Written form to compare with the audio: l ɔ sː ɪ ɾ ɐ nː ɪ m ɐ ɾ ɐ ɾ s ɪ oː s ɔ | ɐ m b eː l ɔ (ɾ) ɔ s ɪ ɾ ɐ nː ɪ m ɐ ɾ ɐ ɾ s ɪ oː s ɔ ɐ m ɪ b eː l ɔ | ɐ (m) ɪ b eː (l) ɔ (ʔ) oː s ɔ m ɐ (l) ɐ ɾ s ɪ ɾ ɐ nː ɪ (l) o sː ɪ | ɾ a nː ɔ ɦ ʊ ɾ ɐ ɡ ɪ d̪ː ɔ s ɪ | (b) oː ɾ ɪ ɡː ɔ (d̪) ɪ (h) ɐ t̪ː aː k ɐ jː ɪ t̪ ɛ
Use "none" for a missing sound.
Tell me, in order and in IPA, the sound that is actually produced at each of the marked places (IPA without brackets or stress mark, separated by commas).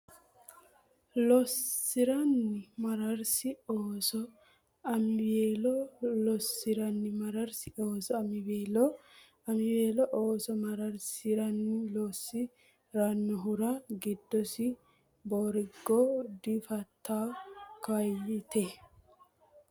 l, m, l, ʔ, ɾ, l, b, d̪, f